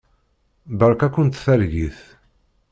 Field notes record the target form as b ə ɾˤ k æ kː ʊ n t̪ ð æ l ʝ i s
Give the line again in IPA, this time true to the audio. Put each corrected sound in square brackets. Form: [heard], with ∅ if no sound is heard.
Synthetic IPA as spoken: b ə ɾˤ k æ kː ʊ n t̪ [θ] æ [ɾ] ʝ i [θ]